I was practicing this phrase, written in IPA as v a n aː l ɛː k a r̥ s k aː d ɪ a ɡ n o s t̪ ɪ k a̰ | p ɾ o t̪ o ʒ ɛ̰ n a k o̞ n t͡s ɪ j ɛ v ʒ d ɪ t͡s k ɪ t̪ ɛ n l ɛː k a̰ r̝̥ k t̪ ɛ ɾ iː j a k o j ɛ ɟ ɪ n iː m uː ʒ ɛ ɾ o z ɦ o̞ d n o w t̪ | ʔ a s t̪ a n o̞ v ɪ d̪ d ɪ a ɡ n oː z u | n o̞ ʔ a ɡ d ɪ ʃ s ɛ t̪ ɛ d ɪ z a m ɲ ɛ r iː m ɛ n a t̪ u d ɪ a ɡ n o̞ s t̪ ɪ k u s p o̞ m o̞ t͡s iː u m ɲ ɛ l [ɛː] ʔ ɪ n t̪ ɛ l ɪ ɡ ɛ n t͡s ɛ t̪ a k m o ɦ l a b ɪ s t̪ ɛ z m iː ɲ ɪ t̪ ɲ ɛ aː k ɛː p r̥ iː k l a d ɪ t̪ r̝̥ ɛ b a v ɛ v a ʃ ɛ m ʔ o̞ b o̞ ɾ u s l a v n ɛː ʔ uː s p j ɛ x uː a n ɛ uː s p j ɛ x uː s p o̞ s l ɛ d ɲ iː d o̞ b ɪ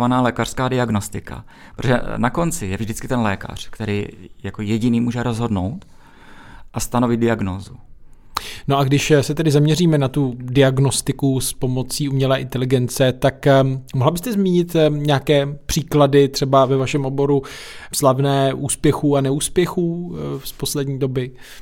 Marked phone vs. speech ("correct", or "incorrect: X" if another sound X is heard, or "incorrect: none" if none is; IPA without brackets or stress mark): correct